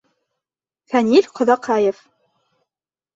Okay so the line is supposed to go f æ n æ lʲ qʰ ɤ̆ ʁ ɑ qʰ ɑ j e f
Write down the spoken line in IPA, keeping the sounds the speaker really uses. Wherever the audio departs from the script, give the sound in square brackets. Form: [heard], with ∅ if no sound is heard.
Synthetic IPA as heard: f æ n [i] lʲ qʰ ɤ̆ [ð] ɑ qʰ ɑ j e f